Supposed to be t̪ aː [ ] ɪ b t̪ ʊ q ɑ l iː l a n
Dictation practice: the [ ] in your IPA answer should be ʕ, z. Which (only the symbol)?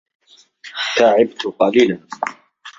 ʕ